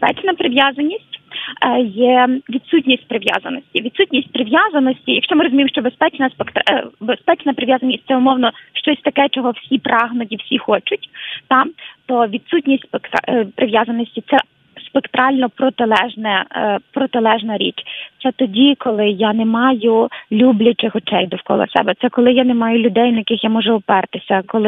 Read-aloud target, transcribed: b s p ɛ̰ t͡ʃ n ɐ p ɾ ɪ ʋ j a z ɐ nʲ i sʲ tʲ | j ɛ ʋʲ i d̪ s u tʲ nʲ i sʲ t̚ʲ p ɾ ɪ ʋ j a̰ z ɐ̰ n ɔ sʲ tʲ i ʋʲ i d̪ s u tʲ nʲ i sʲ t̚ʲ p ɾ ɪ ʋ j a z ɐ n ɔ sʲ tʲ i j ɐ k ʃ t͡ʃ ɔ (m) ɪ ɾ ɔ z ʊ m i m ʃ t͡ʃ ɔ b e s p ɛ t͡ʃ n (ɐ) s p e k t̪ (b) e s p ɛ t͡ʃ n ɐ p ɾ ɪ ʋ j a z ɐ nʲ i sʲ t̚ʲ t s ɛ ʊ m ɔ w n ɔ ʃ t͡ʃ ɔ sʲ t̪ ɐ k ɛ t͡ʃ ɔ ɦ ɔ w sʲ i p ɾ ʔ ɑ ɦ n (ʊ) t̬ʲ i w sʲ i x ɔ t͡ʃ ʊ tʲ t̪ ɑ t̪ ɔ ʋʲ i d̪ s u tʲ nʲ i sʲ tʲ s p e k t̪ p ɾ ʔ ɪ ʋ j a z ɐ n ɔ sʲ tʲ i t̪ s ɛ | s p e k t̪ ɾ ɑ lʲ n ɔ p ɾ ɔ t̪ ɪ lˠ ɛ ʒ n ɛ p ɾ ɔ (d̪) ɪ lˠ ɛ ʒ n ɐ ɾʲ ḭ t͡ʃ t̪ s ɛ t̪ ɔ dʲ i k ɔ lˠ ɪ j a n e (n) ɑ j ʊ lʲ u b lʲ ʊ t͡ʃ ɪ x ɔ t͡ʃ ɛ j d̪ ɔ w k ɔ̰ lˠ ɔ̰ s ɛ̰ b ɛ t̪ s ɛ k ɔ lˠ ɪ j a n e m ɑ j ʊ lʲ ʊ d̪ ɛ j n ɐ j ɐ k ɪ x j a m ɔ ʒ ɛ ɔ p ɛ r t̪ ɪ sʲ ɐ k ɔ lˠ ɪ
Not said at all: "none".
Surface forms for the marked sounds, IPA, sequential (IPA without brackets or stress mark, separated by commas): m, ɐ, b, ʊ, t̪, m